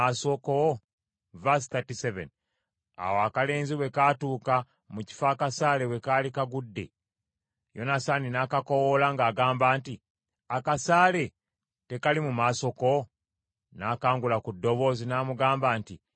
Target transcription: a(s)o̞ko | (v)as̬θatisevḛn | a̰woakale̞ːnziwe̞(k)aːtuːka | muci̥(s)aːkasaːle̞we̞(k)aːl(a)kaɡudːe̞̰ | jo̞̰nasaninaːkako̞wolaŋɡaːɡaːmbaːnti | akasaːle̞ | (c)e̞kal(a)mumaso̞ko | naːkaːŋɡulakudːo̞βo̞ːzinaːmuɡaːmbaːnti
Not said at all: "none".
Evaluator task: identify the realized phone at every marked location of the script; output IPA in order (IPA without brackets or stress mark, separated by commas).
s, v, k, f, k, i, t, i